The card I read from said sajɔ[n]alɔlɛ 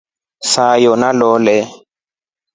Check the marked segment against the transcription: correct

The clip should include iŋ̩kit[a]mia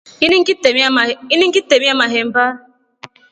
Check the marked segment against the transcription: incorrect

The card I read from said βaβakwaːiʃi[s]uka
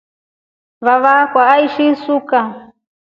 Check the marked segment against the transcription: correct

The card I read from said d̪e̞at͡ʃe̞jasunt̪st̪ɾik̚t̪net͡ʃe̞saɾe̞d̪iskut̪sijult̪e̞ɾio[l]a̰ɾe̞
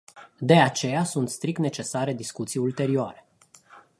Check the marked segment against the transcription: incorrect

